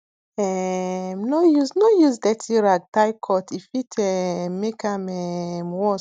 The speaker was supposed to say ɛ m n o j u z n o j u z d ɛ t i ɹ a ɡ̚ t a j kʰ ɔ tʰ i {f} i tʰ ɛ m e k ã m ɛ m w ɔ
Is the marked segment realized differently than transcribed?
no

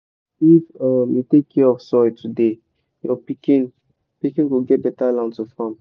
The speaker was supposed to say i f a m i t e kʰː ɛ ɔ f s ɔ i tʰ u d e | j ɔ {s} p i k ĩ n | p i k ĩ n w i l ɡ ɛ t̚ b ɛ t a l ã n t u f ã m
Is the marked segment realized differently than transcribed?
yes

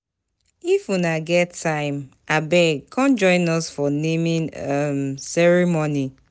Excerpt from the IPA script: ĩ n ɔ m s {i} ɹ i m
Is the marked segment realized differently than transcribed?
yes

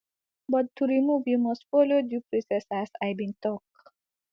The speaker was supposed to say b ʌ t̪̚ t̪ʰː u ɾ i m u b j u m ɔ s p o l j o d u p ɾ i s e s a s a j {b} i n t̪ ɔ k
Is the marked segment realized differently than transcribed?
no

